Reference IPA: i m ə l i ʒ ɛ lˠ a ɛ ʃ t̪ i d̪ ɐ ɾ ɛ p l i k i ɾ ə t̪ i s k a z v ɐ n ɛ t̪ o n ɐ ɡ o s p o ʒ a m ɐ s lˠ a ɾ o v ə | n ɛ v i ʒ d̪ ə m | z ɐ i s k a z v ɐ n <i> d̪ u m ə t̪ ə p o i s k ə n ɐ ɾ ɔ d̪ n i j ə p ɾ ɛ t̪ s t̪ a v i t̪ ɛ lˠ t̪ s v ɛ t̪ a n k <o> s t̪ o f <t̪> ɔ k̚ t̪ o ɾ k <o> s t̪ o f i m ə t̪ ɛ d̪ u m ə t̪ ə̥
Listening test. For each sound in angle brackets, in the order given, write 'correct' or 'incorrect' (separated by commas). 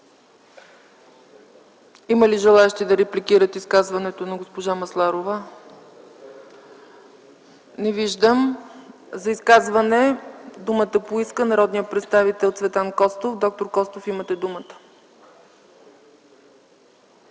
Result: incorrect, incorrect, incorrect, incorrect